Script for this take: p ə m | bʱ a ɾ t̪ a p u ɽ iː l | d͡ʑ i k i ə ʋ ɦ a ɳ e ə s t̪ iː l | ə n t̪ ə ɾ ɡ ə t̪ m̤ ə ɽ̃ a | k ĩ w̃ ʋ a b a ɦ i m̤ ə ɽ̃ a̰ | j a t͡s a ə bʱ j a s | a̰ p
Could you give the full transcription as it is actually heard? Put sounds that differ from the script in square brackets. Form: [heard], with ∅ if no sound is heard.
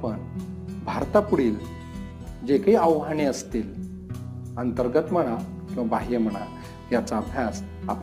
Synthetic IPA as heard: p ə [ɳ] | bʱ a ɾ t̪ a p u ɽ iː l | d͡ʑ [e] k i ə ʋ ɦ a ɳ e ə s t̪ iː l | ə n t̪ ə ɾ ɡ ə t̪ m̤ ə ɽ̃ a | k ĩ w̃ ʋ a b a ɦ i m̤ ə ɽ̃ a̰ | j a t͡s a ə bʱ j a s | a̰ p